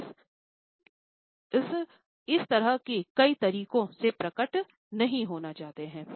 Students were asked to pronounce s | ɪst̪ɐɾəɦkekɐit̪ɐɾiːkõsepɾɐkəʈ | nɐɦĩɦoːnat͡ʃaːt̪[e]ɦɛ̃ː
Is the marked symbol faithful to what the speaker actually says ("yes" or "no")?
yes